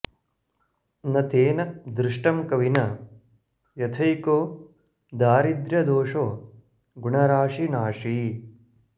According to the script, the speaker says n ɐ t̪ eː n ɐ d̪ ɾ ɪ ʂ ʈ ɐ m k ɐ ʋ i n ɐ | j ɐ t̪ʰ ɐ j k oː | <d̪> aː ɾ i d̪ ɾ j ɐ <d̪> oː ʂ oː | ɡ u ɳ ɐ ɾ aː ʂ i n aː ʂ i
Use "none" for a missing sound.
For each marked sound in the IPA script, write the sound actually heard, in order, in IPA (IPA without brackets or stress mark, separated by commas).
d̪, d̪